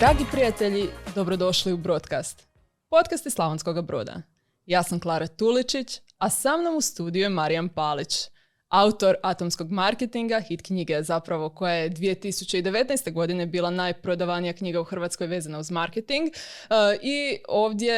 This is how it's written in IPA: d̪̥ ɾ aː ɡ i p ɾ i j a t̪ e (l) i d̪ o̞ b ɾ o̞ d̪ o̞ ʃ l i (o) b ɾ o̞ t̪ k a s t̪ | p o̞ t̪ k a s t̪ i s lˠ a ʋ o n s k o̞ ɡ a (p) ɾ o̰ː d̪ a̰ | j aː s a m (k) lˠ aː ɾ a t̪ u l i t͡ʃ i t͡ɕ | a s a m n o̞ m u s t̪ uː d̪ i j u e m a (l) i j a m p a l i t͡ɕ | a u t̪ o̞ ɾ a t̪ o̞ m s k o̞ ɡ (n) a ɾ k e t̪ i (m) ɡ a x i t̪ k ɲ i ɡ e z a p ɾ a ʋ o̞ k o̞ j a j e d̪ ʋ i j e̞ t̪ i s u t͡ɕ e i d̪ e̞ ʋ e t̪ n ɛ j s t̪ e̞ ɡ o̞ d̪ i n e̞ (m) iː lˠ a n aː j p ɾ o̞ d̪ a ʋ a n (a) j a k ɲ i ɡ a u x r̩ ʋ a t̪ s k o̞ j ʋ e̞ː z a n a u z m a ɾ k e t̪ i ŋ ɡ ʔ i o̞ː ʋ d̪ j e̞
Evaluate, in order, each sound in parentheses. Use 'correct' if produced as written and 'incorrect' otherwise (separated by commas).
incorrect, incorrect, incorrect, correct, incorrect, incorrect, incorrect, incorrect, incorrect